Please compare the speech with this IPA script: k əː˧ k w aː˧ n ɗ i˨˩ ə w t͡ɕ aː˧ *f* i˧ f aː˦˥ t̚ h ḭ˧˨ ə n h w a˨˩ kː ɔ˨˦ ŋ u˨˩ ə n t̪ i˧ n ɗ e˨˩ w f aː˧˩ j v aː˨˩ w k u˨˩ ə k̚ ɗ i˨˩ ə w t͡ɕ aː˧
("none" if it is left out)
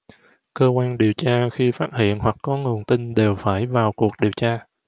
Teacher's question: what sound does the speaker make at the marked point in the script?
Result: x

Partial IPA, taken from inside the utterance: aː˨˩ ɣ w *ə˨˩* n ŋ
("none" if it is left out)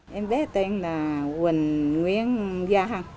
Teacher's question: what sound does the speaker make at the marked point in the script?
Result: ə˨˩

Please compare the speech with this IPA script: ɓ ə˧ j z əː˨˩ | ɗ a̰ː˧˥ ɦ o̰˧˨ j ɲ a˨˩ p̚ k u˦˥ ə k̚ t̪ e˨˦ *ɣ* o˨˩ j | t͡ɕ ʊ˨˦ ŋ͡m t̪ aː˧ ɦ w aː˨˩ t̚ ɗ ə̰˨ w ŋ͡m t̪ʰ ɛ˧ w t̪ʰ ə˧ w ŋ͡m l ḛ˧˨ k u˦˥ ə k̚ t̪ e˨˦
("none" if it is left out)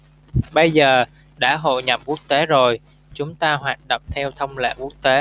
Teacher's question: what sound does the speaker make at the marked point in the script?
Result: z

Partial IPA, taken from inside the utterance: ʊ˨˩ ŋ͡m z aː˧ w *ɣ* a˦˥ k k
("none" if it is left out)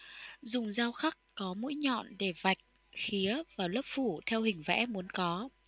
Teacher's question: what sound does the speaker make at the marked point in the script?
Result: x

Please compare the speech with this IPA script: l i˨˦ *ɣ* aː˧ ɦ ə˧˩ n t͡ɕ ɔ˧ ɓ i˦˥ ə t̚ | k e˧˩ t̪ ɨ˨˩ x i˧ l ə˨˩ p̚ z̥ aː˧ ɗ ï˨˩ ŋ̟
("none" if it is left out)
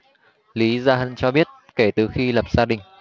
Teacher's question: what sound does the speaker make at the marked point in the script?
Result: z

